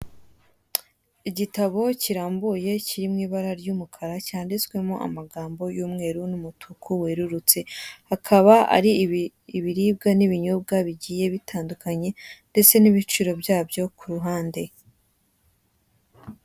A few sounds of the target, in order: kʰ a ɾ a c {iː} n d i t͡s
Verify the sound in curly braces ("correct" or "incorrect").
incorrect